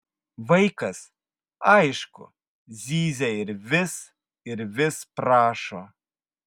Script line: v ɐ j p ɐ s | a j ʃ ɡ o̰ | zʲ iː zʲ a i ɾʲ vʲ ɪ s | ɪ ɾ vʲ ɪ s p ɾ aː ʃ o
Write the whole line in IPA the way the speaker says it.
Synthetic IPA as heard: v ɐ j k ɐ s | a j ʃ k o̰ | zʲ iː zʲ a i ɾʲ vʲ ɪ s | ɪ ɾ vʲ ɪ s p ɾ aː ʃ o